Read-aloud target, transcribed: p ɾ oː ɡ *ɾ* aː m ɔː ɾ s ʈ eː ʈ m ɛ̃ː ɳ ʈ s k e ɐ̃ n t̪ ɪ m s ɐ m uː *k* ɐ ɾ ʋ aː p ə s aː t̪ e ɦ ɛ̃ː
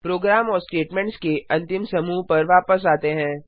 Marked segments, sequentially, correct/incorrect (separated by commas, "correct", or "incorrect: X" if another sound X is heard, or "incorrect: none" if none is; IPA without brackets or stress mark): correct, incorrect: p